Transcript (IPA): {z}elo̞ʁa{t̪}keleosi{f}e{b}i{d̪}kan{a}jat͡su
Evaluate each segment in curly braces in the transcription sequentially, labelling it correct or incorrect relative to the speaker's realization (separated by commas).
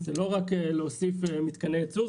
correct, incorrect, correct, incorrect, incorrect, incorrect